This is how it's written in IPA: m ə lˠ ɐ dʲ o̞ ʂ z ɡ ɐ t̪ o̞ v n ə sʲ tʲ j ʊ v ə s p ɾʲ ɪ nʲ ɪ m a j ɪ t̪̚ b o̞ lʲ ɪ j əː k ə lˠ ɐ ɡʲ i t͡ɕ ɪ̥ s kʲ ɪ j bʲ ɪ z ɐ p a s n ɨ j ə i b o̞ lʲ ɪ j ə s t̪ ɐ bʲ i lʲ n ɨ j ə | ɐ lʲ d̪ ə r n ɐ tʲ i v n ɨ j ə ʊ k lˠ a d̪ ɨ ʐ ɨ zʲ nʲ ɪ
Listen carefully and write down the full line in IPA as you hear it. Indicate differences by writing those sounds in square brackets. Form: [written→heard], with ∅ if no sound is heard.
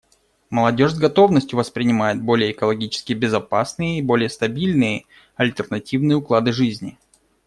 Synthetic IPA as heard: m ə lˠ ɐ dʲ o̞ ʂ z ɡ ɐ t̪ o̞ v n ə sʲ tʲ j ʊ v ə s p ɾʲ ɪ nʲ ɪ m a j ɪ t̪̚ b o̞ lʲ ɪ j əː k ə lˠ ɐ ɡʲ i t͡ɕ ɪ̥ s kʲ ɪ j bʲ ɪ z ɐ p a s n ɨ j ə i b o̞ lʲ ɪ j ə s t̪ ɐ bʲ i lʲ n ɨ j ə | ɐ lʲ [d̪→t̪] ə r n ɐ tʲ i v n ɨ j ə ʊ k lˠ a d̪ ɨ ʐ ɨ zʲ nʲ ɪ